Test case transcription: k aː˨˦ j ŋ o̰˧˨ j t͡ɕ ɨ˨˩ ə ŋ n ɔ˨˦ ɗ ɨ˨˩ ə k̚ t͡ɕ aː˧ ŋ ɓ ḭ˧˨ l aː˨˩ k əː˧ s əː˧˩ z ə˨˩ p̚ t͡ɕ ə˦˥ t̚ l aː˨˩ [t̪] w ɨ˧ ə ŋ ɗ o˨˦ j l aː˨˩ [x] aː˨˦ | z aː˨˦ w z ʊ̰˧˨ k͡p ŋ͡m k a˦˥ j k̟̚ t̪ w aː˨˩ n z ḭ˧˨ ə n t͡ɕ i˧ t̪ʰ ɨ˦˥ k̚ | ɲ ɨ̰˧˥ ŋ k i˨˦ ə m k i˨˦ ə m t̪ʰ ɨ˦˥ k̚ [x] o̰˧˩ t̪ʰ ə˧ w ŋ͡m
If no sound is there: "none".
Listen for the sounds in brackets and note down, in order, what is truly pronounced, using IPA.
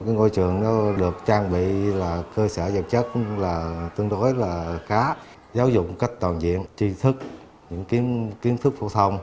t̪, x, f

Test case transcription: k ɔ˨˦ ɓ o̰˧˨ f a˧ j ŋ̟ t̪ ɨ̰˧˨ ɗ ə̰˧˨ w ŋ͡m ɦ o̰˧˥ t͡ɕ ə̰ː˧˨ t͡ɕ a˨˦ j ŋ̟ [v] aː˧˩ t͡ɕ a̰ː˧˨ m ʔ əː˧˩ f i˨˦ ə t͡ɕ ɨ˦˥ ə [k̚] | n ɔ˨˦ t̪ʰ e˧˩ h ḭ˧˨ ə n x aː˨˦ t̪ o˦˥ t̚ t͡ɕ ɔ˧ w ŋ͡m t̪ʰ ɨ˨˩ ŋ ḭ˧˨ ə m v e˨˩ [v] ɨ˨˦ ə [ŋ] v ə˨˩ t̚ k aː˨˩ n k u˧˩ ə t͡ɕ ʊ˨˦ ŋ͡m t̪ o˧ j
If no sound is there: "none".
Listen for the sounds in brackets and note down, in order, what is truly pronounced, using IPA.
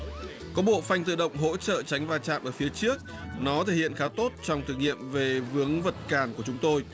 v, k̚, v, ŋ

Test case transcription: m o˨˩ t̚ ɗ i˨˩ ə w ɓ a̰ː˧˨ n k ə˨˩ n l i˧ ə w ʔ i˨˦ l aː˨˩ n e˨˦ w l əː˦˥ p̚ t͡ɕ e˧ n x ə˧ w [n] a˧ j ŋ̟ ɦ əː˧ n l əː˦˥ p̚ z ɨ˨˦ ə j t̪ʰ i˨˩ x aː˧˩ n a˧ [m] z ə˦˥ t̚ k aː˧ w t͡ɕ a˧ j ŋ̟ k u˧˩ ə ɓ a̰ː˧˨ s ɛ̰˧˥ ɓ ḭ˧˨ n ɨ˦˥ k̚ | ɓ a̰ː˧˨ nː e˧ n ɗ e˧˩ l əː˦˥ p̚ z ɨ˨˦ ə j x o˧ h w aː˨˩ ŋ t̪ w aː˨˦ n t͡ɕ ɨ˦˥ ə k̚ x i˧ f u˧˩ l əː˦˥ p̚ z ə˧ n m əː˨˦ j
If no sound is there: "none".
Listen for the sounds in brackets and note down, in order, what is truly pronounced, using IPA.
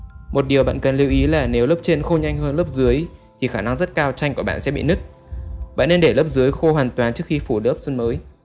ɲ, ŋ

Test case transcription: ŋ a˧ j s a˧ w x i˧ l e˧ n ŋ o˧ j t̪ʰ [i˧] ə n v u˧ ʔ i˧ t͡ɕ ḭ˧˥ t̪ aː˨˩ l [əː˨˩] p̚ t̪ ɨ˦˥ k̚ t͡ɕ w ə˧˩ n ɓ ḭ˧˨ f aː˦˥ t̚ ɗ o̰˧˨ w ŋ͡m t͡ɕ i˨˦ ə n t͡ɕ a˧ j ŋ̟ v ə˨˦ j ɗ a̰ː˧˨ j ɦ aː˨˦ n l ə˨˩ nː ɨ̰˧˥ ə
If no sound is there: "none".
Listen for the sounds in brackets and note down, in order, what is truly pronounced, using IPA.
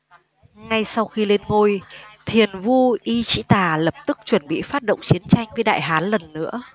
i˨˩, ə˨˩

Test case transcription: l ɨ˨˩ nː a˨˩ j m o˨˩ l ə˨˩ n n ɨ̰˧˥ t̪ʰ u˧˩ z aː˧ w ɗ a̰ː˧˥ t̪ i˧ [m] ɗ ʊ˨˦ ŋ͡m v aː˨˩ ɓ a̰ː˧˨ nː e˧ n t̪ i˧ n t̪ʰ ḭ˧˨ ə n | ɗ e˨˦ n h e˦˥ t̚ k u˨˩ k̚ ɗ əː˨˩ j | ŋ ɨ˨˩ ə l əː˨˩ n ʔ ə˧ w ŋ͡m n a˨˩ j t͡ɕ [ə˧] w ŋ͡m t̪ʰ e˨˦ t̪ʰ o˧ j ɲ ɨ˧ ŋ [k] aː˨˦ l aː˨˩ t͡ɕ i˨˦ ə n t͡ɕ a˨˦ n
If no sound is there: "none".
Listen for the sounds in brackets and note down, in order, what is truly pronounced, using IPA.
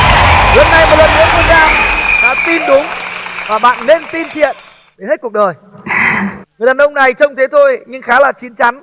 n, ə˧, x

